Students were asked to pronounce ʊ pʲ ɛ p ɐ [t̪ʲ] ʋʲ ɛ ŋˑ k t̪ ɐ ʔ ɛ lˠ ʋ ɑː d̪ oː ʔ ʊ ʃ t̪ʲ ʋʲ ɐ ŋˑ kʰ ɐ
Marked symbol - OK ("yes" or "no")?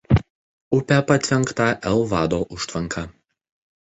yes